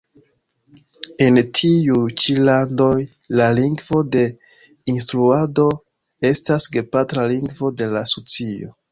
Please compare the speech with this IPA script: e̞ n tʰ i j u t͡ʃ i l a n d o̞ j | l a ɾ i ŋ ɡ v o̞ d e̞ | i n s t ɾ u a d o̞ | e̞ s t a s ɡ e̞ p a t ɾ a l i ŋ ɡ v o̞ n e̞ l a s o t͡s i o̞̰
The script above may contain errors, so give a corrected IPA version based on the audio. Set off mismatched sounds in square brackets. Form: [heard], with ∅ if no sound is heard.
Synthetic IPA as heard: e̞ n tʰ i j u t͡ʃ i l a n d o̞ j | l a [l] i ŋ ɡ v o̞ d e̞ | i n s t ɾ u a d o̞ | e̞ s t a s ɡ e̞ p a t ɾ a l i ŋ ɡ v o̞ [d] e̞ l a s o t͡s i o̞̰